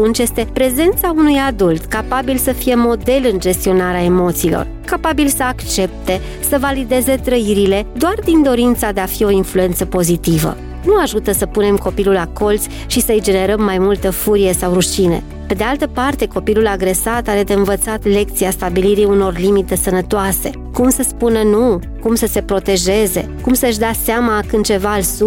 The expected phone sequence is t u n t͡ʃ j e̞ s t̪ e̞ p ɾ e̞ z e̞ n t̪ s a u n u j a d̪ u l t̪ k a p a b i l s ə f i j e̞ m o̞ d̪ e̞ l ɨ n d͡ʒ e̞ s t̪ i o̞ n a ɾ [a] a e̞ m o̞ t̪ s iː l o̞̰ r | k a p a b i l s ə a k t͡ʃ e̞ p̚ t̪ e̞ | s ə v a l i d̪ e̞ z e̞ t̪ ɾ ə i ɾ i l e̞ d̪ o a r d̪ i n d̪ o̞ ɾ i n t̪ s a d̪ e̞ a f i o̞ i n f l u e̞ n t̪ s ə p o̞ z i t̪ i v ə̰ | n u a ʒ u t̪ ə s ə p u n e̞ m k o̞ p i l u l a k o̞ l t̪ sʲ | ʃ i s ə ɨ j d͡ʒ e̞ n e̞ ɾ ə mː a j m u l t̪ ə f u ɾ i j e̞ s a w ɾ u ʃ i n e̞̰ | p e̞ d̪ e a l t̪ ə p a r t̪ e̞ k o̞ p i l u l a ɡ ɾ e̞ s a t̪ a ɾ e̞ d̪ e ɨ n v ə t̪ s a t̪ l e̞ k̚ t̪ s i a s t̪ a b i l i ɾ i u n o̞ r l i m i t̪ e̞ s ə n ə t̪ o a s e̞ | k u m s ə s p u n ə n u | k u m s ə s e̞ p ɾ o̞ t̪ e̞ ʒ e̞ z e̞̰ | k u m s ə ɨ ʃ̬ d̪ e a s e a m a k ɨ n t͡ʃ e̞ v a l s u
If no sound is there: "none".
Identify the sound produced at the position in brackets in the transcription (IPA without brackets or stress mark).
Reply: e